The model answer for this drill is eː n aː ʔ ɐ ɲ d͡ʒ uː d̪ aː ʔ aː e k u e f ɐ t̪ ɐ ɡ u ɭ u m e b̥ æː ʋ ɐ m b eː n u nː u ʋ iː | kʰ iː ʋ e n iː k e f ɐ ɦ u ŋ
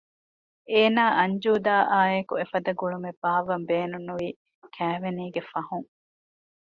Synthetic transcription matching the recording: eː n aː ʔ ɐ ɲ d͡ʒ uː d̪ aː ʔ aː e k u e f ɐ d̪ ɐ ɡ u ɭ u m e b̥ aː ʋ ɐ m b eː n u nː u ʋ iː | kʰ æː ʋ e n iː ɡ e f ɐ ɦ u ŋ